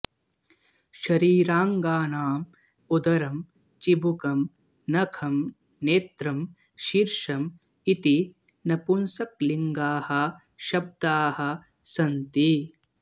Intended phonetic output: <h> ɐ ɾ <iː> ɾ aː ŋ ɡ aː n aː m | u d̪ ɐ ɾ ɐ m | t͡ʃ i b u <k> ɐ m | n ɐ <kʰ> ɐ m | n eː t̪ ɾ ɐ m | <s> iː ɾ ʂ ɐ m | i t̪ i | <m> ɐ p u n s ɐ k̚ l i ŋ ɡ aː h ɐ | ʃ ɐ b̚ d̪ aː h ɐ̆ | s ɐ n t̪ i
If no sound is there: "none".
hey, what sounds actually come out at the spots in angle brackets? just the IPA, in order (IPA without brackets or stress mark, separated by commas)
ʃ, iː, k, kʰ, ʃ, n